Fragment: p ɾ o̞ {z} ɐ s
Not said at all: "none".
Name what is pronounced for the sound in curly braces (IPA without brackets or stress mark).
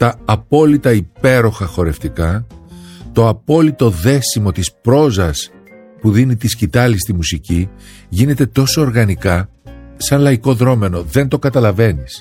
z